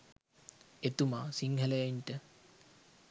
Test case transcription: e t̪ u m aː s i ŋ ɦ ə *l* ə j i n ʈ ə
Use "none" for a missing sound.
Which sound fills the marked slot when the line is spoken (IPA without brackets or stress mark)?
l